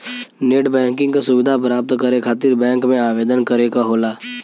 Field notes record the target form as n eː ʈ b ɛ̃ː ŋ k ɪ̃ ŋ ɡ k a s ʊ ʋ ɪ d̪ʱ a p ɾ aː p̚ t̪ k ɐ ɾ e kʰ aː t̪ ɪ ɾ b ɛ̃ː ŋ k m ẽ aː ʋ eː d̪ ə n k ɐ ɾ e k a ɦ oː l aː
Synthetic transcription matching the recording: n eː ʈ b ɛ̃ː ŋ k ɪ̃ ŋ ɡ k a s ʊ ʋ ɪ d̪ʱ a p ɾ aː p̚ t̪ k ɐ ɾ e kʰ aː t̪ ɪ ɾ b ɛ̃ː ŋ k m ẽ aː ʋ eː d̪ ə n k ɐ ɾ e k a ɦ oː l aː